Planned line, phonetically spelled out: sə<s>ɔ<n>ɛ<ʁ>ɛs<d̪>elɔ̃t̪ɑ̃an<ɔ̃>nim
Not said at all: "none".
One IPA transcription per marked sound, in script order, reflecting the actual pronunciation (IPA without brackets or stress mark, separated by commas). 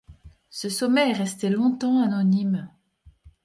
s, m, ʁ, t̪, ɔ